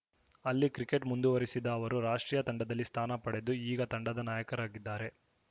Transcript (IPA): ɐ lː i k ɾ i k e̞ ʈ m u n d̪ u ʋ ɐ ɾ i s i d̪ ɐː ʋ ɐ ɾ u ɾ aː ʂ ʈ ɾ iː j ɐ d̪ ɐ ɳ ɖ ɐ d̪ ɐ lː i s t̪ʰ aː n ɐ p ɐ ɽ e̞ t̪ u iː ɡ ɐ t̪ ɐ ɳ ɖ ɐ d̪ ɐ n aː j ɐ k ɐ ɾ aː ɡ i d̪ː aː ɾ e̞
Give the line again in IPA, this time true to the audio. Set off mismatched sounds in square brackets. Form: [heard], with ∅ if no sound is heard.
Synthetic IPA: ɐ lː i k ɾ i k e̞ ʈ m u n d̪ u ʋ ɐ ɾ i s i d̪ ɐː ʋ ɐ ɾ u ɾ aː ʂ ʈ ɾ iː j ɐ [t̪] ɐ ɳ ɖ ɐ d̪ ɐ lː i s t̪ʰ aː n ɐ p ɐ ɽ e̞ [d̪] u iː ɡ ɐ t̪ ɐ ɳ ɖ ɐ d̪ ɐ n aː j ɐ k ɐ ɾ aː ɡ i d̪ː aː ɾ e̞